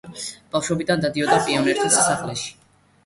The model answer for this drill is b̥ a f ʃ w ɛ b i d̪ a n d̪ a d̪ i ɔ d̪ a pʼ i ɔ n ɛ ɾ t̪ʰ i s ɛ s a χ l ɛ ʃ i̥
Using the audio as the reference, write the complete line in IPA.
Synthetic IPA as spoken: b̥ a f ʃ w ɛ b i d̪ a n d̪ a d̪ i ɔ d̪ a pʼ i ɔ n ɛ ɾ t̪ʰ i s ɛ s a χ l ɛ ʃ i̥